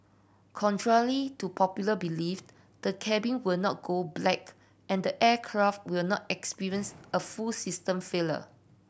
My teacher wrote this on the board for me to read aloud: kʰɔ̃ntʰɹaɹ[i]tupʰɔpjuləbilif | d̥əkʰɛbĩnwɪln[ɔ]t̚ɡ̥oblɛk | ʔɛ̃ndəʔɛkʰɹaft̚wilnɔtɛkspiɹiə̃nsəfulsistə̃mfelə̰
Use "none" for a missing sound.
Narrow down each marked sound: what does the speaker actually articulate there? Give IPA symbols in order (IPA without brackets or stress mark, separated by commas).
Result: i, ɔ